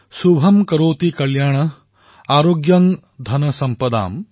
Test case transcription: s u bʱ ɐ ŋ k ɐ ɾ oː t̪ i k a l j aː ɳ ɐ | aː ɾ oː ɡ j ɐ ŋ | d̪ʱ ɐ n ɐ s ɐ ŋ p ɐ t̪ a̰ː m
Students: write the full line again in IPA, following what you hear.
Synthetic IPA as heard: s u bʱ ɐ m k ɐ ɾ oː t̪ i k ɐ l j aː ɳ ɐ | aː ɾ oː ɡ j ɐ ŋ | d̪ʱ ɐ n ɐ s ɐ m p ɐ d̪ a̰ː m

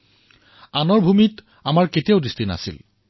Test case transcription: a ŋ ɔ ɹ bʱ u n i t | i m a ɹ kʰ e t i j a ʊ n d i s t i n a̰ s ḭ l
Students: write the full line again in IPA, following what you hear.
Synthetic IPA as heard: a n ɔ ɹ bʱ u m i t | a m a ɹ k e t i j a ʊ d i s t i n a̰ s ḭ l

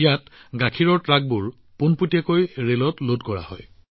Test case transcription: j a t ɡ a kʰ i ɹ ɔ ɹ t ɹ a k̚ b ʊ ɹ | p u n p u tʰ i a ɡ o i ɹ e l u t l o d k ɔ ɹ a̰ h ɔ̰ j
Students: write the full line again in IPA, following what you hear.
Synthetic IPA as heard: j a t ɡ a kʰ i ɹ ɔ ɹ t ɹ a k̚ b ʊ ɹ | p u n p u t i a k o j ɹ e l ɔ t l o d k ɔ ɹ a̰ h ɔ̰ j

